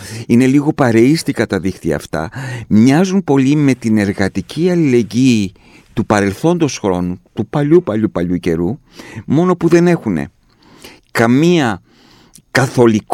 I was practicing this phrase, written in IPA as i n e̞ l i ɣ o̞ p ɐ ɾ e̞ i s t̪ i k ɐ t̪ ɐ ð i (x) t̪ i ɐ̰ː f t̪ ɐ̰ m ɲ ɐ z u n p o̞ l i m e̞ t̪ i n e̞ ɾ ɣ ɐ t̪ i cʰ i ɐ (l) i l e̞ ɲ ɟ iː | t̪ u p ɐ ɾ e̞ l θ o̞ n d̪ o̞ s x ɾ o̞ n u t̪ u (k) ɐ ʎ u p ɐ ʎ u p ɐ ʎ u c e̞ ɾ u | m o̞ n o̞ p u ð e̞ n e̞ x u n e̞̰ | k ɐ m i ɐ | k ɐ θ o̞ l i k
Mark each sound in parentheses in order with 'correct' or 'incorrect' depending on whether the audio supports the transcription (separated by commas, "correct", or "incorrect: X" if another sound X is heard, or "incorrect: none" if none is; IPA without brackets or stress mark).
correct, correct, incorrect: p